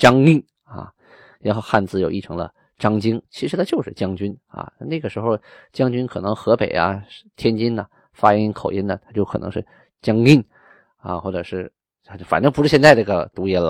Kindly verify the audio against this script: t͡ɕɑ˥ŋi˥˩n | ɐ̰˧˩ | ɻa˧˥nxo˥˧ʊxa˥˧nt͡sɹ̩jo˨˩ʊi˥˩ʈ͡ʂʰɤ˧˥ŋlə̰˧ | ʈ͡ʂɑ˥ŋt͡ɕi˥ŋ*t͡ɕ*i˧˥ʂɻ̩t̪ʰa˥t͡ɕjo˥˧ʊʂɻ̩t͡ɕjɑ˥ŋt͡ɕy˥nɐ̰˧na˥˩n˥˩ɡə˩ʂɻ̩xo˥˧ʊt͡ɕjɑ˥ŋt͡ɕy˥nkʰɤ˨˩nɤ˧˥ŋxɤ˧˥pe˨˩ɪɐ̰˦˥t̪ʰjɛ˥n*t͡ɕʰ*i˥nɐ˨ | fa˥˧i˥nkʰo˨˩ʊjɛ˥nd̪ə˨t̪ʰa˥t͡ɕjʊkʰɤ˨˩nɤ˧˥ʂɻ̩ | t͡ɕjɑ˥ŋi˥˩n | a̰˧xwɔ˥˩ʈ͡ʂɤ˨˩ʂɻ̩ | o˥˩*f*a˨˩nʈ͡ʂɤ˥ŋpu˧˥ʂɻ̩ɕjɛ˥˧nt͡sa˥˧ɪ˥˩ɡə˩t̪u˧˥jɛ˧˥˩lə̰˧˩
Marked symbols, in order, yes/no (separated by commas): no, no, yes